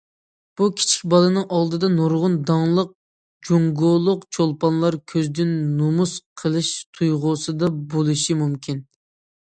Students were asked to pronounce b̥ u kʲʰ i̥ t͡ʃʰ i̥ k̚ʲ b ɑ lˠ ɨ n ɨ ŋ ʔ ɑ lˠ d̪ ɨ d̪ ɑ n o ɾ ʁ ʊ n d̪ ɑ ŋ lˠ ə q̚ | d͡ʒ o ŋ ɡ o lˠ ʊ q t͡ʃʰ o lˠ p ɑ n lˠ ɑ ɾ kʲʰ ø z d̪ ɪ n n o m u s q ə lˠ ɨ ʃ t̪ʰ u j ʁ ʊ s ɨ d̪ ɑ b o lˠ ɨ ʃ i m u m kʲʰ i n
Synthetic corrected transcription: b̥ u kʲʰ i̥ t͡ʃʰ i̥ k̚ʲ b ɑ lˠ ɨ n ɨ ŋ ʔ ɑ lˠ d̪ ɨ d̪ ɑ n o ɾ ʁ ʊ n d̪ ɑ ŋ lˠ ə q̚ | d͡ʒ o ŋ ɡ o lˠ ʊ q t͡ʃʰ o lˠ p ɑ n lˠ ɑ ɾ kʲʰ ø z d̪ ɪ n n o m u s qʰ ə lˠ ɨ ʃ t̪ʰ u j ʁ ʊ s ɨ d̪ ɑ b o lˠ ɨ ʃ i m u m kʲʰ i n

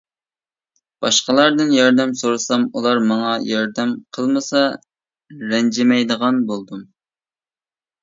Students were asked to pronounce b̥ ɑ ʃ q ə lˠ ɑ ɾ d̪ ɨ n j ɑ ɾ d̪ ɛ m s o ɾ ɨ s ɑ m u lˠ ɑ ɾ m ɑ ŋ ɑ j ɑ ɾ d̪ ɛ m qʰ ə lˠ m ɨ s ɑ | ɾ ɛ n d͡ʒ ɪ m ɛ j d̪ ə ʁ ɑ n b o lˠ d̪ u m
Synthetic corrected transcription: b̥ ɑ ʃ q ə lˠ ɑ ɾ d̪ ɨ n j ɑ ɾ d̪ ɛ m s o ɾ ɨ s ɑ m u lˠ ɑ ɾ m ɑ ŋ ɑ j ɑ ɾ d̪ ɛ m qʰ ə lˠ m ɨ s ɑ | ɾ ɛ n d͡ʒ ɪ m ɛ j d̪ ə ʁ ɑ n b o lˠ d̪ u m

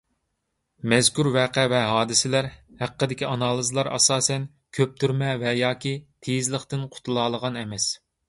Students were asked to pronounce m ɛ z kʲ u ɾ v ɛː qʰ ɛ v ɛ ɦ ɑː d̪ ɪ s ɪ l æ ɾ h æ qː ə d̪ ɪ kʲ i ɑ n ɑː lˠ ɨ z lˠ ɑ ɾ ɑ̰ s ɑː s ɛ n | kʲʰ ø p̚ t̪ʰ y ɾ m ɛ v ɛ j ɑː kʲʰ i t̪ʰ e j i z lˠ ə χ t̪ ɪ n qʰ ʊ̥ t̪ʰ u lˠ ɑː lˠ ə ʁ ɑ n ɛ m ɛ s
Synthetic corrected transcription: m ɛ z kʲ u ɾ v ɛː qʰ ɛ v ɛ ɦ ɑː d̪ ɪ s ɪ l æ ɾ h æ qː ə d̪ ɪ kʲ i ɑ n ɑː lˠ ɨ z lˠ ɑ ɾ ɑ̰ s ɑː s ɛ n | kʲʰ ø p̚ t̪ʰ y ɾ m ɛ v ɛ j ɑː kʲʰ i t̪ʰ e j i z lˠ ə χ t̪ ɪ n qʰ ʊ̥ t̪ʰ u lˠ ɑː lˠ ə ʁ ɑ n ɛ m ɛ s

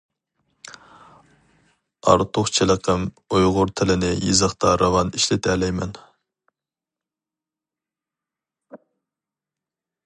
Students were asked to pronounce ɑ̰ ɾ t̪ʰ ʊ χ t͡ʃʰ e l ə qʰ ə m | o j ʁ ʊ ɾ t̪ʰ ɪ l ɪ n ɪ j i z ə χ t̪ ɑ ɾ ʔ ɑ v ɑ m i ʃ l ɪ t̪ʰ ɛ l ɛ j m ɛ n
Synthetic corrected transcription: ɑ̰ ɾ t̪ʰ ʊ χ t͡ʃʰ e l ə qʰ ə m | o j ʁ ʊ ɾ t̪ʰ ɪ l ɪ n ɪ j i z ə χ t̪ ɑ ɾ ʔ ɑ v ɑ n i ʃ l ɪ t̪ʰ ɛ l ɛ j m ɛ n

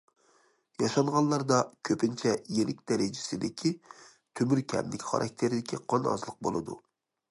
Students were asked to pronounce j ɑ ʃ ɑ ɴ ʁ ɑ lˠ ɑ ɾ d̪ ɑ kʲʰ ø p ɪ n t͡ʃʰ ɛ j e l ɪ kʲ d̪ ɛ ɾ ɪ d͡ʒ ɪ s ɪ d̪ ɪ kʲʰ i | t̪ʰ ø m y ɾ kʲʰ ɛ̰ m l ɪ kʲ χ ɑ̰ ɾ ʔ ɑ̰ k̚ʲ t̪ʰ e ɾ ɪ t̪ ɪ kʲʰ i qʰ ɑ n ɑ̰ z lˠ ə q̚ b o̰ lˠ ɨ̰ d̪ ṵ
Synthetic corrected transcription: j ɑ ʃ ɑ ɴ ʁ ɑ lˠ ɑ ɾ d̪ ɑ kʲʰ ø p ɪ n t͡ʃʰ ɛ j e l ɪ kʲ d̪ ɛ ɾ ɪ d͡ʒ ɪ s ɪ d̪ ɪ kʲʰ i | t̪ʰ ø m y ɾ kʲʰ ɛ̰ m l ɪ kʲ χ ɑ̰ ɾ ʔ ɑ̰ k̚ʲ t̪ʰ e ɾ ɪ d̪ ɪ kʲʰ i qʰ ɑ n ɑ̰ z lˠ ə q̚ b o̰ lˠ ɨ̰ d̪ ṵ

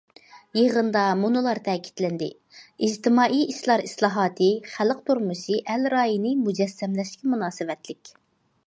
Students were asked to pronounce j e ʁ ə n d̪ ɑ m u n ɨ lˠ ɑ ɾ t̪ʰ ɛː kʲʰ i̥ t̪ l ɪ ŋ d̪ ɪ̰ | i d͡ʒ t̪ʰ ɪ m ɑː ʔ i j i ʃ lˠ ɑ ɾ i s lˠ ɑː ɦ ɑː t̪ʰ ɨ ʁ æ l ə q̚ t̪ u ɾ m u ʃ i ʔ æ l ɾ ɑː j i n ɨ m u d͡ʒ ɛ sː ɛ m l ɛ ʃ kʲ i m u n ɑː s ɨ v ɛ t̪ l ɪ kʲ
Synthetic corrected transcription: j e ʁ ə n d̪ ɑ m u n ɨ lˠ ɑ ɾ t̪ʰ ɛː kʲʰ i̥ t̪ l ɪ n d̪ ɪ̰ | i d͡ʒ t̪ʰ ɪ m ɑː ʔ i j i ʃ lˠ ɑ ɾ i s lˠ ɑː ɦ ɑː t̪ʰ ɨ χ æ l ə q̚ t̪ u ɾ m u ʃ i ʔ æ l ɾ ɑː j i n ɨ m u d͡ʒ ɛ sː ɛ m l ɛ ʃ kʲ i m u n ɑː s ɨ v ɛ t̪ l ɪ kʲ

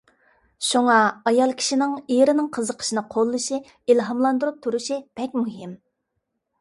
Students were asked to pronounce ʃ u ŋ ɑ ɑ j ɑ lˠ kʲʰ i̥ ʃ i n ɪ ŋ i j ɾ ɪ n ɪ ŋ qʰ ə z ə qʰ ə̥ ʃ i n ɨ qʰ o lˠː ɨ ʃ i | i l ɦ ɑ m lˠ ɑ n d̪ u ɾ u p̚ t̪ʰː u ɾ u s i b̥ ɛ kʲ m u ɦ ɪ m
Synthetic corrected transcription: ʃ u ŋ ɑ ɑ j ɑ lˠ kʲʰ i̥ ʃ i n ɪ ŋ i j ɾ ɪ n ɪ ŋ qʰ ə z ə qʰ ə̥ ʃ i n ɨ qʰ o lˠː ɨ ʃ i | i l ɦ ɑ m lˠ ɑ n d̪ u ɾ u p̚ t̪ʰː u ɾ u ʃ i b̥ ɛ kʲ m u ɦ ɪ m

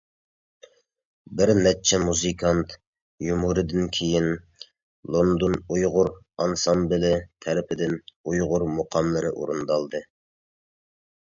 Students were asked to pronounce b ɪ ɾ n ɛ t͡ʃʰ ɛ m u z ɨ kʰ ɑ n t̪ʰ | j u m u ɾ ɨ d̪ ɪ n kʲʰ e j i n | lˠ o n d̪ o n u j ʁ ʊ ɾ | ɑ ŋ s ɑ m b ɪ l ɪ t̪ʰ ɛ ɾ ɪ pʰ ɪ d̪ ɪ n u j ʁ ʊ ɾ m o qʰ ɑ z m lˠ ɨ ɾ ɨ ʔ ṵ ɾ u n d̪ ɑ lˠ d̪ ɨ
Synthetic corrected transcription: b ɪ ɾ n ɛ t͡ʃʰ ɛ m u z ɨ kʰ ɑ n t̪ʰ | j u m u ɾ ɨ d̪ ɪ n kʲʰ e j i n | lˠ o n d̪ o n u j ʁ ʊ ɾ | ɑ n s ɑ m b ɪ l ɪ t̪ʰ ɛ ɾ ɪ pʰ ɪ d̪ ɪ n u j ʁ ʊ ɾ m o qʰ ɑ m lˠ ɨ ɾ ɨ ʔ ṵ ɾ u n d̪ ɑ lˠ d̪ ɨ

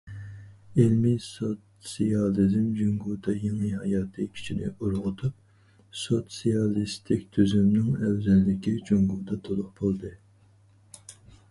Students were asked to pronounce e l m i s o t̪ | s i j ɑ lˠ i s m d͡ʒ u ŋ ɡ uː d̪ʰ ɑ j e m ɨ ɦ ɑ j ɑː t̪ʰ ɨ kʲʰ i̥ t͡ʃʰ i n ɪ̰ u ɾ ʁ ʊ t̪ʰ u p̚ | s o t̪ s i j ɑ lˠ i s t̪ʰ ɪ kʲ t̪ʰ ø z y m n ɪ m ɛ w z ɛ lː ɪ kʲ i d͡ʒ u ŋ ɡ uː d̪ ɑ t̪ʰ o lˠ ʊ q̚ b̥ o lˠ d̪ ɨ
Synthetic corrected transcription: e l m i s o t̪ | s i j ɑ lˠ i z m d͡ʒ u ŋ ɡ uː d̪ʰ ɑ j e ŋ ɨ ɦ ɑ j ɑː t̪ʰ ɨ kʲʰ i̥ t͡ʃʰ i n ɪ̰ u ɾ ʁ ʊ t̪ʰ u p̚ | s o t̪ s i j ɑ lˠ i s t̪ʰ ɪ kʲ t̪ʰ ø z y m n ɪ ŋ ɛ w z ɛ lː ɪ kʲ i d͡ʒ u ŋ ɡ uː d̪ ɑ t̪ʰ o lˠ ʊ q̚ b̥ o lˠ d̪ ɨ

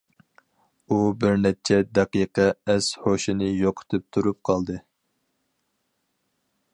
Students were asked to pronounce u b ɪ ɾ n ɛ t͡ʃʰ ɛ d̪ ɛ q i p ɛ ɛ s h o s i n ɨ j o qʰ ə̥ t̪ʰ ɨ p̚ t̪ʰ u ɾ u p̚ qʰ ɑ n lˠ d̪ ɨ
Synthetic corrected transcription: u b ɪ ɾ n ɛ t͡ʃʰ ɛ d̪ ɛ q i q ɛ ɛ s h o ʃ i n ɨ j o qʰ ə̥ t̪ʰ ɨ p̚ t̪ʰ u ɾ u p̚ qʰ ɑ lˠ d̪ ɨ

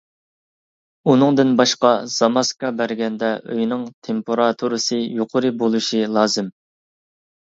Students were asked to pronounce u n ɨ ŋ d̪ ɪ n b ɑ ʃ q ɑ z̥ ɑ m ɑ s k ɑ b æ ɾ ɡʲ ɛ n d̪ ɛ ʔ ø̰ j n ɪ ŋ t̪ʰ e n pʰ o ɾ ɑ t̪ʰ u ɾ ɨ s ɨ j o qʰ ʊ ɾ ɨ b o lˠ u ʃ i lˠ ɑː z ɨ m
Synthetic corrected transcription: u n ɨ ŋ d̪ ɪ n b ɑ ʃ q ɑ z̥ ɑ m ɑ s k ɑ b æ ɾ ɡʲ ɛ n d̪ ɛ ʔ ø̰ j n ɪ ŋ t̪ʰ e m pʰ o ɾ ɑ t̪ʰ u ɾ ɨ s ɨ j o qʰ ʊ ɾ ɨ b o lˠ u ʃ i lˠ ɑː z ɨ m

